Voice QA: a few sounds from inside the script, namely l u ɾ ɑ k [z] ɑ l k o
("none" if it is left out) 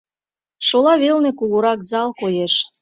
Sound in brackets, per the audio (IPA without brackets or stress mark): z